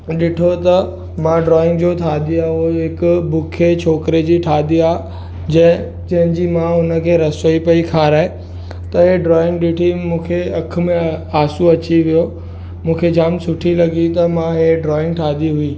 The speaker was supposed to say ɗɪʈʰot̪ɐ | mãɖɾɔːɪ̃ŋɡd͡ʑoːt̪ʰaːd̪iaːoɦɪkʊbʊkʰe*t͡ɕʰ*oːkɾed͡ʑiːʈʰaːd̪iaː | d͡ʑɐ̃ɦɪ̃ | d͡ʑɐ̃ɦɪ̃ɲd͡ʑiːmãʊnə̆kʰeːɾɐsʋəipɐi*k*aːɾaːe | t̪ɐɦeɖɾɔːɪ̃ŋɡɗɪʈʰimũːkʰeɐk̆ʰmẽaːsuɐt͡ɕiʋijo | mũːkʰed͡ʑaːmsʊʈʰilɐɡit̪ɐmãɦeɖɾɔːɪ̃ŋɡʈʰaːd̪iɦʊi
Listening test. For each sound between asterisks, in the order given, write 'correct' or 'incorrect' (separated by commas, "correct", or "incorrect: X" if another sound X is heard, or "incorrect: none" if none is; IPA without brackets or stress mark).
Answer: correct, incorrect: kʰ